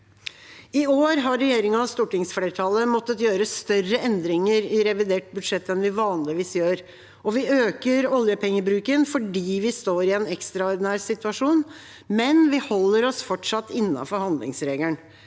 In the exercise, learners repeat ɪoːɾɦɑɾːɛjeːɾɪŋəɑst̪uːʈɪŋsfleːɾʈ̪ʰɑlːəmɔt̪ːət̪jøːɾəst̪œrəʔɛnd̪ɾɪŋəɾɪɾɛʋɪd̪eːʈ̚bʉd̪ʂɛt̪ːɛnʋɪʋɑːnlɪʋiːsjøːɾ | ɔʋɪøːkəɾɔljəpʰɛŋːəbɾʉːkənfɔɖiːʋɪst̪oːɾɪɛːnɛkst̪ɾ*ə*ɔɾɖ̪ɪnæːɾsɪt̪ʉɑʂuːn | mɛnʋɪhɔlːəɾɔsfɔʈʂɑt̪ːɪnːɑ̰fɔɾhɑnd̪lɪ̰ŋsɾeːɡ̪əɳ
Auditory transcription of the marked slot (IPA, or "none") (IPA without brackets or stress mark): ɑ